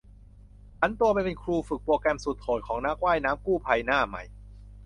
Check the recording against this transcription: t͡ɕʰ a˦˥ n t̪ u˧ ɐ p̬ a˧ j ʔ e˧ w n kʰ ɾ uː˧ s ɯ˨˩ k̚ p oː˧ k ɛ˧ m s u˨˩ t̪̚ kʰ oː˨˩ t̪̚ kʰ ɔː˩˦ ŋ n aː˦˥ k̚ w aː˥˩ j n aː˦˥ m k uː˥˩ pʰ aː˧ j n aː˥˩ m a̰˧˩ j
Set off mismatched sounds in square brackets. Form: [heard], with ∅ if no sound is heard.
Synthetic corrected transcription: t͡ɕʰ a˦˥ n t̪ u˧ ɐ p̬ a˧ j [p] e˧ [∅] n kʰ ɾ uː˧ [f] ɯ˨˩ k̚ p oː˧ k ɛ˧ m s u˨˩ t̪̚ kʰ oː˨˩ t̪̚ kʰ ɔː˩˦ ŋ n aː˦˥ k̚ w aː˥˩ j n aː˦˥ m k uː˥˩ pʰ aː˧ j n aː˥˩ m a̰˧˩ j